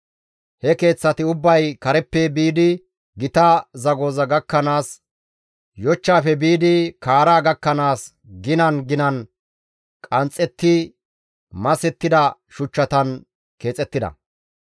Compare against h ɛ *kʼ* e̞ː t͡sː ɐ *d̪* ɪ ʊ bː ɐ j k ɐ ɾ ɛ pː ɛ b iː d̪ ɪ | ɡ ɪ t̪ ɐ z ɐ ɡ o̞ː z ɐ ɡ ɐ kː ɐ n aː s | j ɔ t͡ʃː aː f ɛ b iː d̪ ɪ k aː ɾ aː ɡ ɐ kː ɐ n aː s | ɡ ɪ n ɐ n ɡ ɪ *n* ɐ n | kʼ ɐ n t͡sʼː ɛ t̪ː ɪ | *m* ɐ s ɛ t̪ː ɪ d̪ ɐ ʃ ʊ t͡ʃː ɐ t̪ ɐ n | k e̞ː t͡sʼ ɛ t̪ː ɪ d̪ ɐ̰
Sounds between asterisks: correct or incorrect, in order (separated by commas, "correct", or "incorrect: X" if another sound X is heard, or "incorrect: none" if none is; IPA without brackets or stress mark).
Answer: incorrect: k, incorrect: t̪, correct, correct